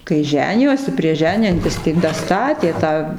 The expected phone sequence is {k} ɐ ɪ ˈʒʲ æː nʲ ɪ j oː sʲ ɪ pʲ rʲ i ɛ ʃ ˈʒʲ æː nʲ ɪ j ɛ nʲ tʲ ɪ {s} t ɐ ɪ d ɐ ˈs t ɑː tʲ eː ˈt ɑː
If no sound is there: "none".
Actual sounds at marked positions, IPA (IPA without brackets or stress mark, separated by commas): k, s